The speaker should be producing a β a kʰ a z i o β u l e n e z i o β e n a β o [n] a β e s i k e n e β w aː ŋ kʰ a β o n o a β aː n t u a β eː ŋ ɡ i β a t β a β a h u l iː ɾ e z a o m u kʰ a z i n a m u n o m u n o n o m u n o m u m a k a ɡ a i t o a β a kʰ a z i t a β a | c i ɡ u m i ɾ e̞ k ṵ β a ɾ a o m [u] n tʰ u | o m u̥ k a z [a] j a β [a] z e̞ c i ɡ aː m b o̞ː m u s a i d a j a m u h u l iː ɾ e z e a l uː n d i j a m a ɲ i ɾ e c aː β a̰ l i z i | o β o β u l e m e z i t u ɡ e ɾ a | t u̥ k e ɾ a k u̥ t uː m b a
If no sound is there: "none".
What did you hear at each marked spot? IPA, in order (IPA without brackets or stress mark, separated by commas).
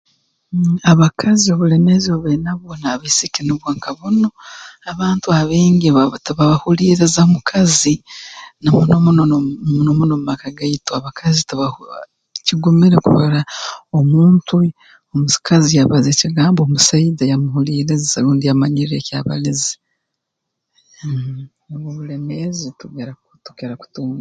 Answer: n, uː, i, a